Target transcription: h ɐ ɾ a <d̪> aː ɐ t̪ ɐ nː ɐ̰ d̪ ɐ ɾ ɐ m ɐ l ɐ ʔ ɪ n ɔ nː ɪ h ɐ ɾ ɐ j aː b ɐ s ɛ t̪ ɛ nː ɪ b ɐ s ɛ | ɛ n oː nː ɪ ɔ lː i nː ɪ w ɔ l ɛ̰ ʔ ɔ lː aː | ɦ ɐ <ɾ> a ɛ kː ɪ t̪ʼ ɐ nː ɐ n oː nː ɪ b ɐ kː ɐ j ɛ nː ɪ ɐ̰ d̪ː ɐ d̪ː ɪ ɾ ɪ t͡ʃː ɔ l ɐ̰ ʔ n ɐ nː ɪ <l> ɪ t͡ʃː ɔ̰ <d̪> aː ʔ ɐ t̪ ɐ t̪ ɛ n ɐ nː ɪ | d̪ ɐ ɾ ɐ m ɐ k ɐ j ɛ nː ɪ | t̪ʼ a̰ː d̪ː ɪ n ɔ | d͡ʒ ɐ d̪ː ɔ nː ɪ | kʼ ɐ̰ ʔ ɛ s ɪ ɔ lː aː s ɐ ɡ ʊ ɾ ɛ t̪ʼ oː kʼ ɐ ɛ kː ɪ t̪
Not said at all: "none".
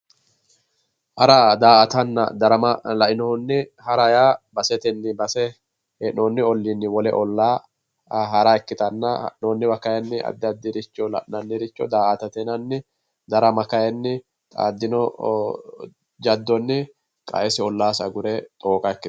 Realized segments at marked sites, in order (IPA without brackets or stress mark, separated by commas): d̪, ɾ, ɾ, d̪